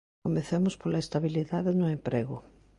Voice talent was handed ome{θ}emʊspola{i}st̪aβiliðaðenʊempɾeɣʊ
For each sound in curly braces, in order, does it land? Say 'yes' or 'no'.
yes, no

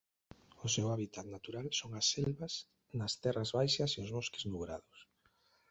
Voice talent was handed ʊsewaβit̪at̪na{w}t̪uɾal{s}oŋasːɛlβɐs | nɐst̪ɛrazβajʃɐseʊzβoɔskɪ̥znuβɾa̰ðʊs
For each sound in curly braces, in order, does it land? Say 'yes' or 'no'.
no, yes

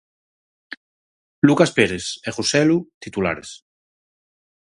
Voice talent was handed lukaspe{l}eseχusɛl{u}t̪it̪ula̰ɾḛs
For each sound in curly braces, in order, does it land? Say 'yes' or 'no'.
no, yes

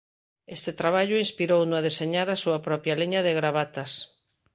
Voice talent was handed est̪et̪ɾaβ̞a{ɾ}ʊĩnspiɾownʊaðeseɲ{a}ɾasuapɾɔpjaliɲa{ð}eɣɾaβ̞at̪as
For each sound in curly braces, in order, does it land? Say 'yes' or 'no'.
no, yes, yes

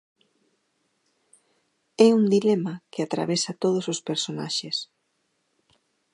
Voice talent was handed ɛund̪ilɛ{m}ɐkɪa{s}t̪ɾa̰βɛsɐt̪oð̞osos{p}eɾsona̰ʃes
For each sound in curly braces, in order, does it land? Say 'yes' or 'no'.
yes, no, yes

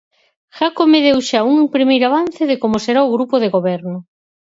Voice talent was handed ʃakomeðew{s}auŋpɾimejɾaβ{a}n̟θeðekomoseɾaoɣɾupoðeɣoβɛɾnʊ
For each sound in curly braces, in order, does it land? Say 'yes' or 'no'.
no, yes

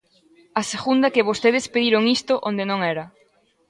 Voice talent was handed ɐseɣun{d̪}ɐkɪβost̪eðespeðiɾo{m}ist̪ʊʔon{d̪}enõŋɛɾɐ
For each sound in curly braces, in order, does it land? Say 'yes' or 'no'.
yes, no, yes

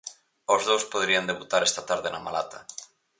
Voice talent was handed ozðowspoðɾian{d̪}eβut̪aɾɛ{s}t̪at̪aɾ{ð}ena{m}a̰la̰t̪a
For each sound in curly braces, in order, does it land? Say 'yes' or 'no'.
yes, yes, yes, yes

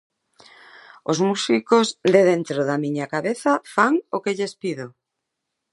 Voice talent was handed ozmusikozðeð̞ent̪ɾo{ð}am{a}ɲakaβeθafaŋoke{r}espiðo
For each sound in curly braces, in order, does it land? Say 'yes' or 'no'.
yes, no, no

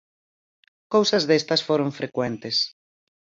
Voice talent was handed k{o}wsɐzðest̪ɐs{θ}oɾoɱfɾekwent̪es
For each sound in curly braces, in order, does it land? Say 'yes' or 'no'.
yes, no

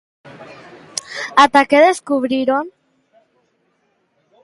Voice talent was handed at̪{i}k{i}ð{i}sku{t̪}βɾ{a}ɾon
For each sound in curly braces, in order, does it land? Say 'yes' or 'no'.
no, no, no, no, no

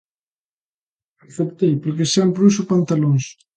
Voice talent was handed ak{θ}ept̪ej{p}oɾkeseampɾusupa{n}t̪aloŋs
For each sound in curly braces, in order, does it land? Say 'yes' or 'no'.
yes, yes, yes

